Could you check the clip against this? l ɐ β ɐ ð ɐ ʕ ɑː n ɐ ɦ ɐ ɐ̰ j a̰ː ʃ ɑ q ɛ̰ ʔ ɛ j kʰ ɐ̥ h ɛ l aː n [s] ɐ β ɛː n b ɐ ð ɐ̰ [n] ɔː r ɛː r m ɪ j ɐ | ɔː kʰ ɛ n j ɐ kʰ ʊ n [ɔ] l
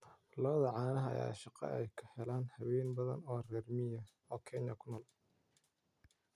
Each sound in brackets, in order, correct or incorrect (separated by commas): incorrect, correct, incorrect